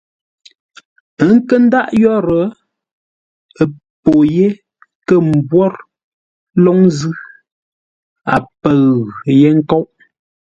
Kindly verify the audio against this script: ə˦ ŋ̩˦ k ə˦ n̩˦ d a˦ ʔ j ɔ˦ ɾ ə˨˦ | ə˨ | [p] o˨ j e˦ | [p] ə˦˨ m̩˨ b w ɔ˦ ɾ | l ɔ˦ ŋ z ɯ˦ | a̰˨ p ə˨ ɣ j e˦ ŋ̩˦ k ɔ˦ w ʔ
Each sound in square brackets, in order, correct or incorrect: correct, incorrect: k

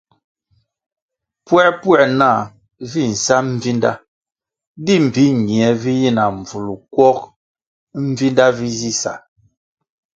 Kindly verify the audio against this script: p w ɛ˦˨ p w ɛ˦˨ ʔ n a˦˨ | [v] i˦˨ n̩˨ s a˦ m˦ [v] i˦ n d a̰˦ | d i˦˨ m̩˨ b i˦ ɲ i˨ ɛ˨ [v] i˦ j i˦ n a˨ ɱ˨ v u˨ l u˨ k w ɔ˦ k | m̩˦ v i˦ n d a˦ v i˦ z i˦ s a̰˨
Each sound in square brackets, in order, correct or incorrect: correct, correct, correct

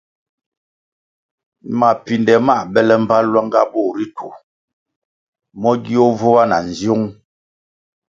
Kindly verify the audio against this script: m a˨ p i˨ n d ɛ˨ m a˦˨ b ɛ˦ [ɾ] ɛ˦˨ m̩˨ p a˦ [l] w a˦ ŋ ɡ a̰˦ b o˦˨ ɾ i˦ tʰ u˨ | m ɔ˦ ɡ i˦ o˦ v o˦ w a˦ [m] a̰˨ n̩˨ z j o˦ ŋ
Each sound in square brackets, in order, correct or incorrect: incorrect: l, correct, incorrect: n

